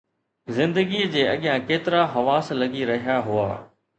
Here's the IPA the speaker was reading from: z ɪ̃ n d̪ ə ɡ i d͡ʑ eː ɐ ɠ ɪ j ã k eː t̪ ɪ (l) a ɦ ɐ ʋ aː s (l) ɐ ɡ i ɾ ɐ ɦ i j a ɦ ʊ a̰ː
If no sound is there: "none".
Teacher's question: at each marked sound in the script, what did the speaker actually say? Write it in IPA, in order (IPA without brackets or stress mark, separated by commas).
ɾ, l